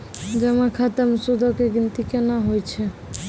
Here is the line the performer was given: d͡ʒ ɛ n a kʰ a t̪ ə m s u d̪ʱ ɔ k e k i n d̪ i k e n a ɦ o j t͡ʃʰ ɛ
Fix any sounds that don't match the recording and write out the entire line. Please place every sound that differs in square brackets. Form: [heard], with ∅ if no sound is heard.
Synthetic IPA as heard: d͡ʒ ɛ [m] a kʰ a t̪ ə m s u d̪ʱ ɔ k e [ɡ] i n [t̪] i k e n a ɦ o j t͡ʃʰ ɛ